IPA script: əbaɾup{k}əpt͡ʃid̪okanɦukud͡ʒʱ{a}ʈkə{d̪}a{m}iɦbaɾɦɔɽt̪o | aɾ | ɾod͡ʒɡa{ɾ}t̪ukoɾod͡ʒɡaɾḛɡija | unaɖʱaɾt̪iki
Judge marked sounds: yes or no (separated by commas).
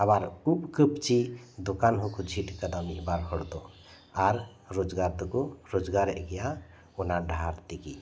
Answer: yes, no, yes, yes, yes